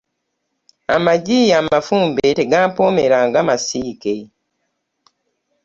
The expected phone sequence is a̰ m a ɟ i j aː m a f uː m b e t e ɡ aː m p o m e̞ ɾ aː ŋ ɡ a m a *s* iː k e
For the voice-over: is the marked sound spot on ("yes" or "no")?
yes